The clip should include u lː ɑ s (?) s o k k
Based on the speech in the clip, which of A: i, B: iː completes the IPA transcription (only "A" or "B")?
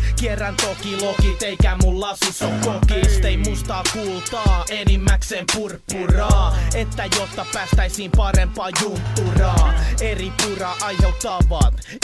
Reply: A